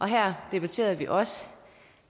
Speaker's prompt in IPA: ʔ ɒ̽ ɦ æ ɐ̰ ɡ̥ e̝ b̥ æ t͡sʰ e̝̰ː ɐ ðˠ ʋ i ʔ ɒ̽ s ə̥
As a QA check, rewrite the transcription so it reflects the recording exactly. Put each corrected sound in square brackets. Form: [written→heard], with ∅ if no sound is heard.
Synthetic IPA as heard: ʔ ɒ̽ ɦ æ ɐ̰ [ɡ̥→d̥] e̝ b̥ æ t͡sʰ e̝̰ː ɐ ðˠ ʋ i ʔ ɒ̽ s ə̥